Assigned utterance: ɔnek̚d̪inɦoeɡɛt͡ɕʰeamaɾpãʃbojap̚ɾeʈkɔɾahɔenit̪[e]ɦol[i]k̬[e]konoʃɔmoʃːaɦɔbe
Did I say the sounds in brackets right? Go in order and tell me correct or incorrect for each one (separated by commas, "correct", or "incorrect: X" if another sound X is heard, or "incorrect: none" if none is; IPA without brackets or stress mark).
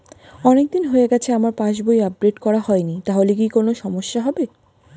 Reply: incorrect: a, incorrect: e, incorrect: i